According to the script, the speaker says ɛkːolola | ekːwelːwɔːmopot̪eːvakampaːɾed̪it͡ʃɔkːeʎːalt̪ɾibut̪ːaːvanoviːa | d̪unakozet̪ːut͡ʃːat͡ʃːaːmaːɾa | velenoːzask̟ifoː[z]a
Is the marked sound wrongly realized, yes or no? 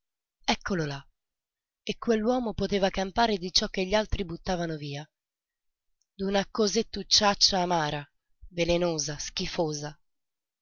no